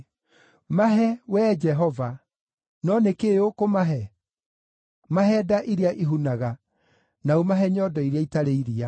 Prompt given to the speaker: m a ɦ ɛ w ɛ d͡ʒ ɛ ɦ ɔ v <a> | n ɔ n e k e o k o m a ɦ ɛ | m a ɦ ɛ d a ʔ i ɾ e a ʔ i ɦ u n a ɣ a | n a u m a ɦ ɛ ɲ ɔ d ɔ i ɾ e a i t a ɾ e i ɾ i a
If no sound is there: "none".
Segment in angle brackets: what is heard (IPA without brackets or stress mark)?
a